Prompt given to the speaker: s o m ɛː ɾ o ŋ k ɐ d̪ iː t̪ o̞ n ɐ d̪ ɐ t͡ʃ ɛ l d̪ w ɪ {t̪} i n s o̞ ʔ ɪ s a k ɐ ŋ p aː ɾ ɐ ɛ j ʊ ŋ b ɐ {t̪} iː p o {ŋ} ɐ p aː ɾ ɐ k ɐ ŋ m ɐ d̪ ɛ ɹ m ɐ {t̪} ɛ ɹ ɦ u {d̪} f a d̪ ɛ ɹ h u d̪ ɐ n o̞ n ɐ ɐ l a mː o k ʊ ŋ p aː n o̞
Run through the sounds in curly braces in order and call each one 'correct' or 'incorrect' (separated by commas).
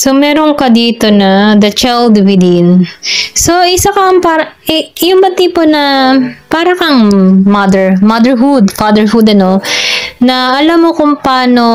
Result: incorrect, correct, incorrect, incorrect, correct